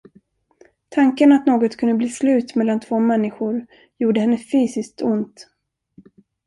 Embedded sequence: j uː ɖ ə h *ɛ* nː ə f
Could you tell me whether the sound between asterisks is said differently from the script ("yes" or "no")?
no